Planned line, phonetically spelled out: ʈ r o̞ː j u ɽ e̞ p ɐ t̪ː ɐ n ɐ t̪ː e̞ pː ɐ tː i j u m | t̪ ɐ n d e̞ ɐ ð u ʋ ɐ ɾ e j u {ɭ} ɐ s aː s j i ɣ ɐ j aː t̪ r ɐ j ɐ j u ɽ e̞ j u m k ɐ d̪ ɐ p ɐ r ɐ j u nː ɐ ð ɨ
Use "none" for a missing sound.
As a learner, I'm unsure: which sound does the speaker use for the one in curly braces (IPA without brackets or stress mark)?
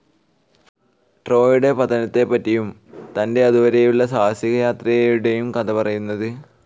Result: ɭː